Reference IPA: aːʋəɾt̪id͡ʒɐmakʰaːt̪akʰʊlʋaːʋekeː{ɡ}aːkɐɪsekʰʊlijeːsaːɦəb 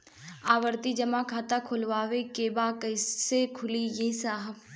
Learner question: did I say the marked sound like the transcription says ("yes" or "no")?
no